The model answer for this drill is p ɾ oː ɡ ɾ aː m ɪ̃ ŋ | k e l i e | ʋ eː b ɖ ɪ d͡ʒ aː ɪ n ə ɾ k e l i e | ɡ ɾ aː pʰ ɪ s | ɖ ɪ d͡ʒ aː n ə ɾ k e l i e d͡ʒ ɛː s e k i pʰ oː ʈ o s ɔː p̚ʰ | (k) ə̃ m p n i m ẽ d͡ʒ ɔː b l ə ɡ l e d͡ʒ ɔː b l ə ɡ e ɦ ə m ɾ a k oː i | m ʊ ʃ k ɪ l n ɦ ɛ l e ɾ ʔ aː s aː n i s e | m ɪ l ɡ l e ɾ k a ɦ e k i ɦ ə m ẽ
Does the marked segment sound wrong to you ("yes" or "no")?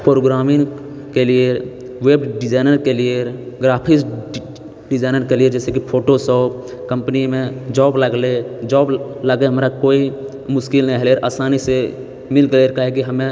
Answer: no